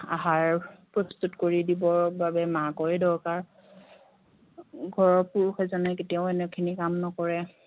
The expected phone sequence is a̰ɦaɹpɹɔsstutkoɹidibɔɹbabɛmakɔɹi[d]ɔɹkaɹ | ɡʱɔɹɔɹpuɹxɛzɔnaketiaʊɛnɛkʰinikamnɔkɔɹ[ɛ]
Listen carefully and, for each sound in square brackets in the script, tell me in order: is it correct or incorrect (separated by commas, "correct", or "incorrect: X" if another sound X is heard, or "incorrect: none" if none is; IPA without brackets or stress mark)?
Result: correct, correct